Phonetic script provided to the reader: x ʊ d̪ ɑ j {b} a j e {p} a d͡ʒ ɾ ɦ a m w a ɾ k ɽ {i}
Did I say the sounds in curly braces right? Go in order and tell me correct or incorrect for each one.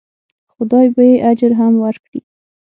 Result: correct, incorrect, correct

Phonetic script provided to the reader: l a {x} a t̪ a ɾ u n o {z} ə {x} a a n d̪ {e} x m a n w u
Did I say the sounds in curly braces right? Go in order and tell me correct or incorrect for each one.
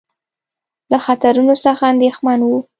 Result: correct, incorrect, correct, correct

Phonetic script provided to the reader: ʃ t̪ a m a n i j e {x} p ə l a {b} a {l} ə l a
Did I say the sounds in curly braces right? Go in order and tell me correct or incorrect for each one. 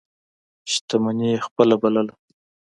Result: correct, correct, correct

